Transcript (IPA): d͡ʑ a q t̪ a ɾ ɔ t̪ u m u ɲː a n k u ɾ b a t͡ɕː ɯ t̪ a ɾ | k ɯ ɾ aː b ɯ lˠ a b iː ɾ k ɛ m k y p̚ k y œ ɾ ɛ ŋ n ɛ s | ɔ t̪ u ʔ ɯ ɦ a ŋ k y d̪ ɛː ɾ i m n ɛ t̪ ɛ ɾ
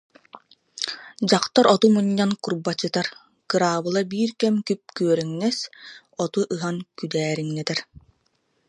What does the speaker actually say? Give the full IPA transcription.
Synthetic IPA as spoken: d͡ʑ a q t̪ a ɾ ɔ t̪ u m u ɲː a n k u ɾ b a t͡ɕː ɯ t̪ a ɾ | k ɯ ɾ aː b ɯ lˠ a b iː ɾ k ɛ m k y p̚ k y œ ɾ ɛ ŋ n ɛ s | ɔ t̪ u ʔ ɯ ɦ a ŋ k y d̪ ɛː ɾ i ŋ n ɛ t̪ ɛ ɾ